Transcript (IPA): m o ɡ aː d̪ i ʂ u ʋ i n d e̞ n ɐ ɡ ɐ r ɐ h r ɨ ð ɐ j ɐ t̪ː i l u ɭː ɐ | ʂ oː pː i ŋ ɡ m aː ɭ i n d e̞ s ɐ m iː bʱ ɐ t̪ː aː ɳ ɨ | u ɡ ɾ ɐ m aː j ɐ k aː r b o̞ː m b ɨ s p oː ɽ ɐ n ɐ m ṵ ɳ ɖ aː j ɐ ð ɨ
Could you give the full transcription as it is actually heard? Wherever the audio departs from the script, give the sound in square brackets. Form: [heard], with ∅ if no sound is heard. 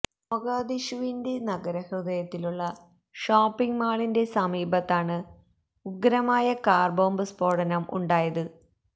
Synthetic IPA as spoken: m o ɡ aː d̪ i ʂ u ʋ i n d e̞ n ɐ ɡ ɐ [ɾ] ɐ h r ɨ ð ɐ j ɐ t̪ː i l u ɭː ɐ | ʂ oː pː i ŋ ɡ m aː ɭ i n d e̞ s ɐ m iː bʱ ɐ t̪ː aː ɳ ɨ | u ɡ ɾ ɐ m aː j ɐ k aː r b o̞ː m b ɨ s p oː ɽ ɐ n ɐ m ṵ ɳ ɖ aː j ɐ ð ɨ